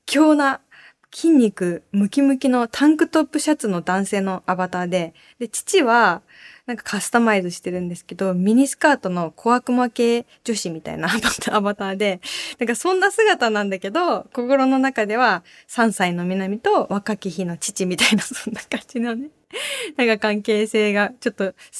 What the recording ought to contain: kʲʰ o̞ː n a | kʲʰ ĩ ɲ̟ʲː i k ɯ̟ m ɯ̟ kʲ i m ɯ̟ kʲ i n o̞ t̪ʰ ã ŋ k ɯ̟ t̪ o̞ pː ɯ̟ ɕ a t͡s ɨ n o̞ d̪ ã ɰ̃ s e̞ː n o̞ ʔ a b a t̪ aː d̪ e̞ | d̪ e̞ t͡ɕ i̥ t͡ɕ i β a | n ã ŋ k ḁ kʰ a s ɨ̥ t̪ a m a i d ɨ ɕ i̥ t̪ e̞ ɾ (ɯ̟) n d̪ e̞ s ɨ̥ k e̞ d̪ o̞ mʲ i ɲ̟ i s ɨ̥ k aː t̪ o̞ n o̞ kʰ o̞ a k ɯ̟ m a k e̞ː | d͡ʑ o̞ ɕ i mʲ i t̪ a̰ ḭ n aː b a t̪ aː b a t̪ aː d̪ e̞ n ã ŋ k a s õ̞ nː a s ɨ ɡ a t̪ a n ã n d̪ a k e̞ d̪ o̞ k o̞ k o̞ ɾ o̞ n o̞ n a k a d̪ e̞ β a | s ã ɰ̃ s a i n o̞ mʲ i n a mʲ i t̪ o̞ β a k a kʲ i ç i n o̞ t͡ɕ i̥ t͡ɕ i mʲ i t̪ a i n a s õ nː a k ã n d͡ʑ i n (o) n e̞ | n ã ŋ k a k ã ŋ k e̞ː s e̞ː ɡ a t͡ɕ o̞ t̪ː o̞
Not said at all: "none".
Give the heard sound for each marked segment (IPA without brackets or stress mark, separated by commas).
ɯ̟̃, o